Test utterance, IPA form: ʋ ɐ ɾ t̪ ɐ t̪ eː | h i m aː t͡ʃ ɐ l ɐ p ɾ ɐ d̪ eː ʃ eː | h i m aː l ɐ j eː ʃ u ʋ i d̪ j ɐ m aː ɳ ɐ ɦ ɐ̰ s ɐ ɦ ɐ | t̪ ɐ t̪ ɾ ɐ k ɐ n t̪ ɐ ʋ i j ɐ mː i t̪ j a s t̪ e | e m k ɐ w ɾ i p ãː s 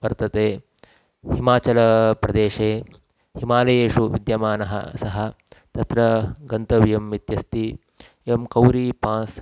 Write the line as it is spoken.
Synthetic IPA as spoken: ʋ ɐ ɾ t̪ ɐ t̪ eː | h i m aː t͡ʃ ɐ l ɐ p ɾ ɐ d̪ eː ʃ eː | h i m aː l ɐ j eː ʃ u ʋ i d̪ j ɐ m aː n ɐ ɦ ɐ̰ s ɐ ɦ ɐ | t̪ ɐ t̪ ɾ ɐ ɡ ɐ n t̪ ɐ ʋ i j ɐ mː i t̪ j ɐ s t̪ i | e m k ɐ w ɾ i p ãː s